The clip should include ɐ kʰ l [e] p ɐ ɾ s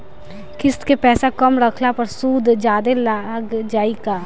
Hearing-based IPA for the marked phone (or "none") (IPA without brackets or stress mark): a